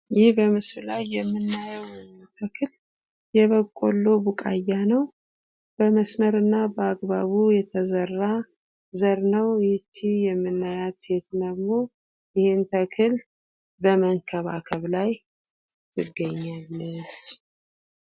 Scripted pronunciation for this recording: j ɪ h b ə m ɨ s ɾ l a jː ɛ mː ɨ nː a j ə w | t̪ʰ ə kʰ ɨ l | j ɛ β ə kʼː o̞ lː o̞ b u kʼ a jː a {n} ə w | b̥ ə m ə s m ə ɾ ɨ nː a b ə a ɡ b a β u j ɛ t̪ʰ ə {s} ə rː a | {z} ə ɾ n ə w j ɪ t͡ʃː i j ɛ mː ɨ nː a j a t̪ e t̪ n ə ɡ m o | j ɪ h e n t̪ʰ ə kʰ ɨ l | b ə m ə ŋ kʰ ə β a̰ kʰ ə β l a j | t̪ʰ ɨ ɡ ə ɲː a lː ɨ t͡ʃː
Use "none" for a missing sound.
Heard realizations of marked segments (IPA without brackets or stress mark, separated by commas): n, z, z